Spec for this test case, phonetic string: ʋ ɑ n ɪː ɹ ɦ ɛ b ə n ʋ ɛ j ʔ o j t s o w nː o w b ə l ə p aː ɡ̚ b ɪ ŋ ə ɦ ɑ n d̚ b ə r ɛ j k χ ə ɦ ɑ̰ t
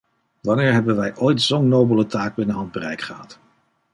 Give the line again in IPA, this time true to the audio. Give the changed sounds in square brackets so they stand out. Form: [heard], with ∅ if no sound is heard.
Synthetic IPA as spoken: ʋ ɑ n ɪː ɹ ɦ ɛ b ə n ʋ ɛ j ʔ o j t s o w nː o w b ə l ə [t] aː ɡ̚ b ɪ [n] ə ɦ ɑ n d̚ b ə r ɛ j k χ ə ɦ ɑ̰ t